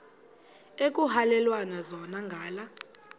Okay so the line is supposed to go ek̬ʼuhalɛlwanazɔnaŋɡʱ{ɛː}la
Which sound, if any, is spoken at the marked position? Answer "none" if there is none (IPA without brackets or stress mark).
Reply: aː